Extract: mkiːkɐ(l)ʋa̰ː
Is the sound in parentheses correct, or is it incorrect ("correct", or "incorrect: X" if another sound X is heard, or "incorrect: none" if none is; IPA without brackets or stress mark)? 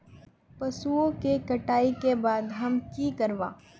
incorrect: ɾ